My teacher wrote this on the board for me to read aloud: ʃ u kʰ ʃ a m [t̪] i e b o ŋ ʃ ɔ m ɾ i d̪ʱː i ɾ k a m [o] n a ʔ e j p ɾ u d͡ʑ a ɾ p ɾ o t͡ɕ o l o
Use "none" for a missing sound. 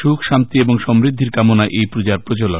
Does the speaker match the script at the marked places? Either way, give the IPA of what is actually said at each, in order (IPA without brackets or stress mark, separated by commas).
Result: t̪, o